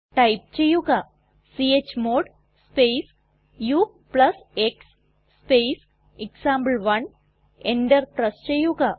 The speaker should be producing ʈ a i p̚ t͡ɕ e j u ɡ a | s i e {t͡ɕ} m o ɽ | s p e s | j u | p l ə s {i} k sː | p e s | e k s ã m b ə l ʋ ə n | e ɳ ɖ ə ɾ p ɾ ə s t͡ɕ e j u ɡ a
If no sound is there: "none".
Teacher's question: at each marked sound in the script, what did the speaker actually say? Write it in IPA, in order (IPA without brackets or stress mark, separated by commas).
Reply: t͡ɕ, e